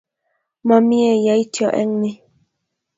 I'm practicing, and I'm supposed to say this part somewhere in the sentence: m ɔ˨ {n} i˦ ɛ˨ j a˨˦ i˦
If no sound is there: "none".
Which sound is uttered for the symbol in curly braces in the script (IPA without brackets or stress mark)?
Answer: m